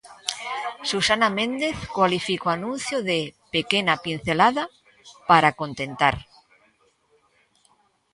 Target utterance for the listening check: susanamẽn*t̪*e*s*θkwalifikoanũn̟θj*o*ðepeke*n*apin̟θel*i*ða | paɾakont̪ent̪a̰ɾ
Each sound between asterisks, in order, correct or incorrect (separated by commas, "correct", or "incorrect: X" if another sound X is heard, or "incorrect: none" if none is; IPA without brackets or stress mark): incorrect: d̪, incorrect: none, correct, correct, incorrect: a